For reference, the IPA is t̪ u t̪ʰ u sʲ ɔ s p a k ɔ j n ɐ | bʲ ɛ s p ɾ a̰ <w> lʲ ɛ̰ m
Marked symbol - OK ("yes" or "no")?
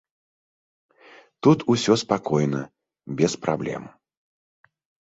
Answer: no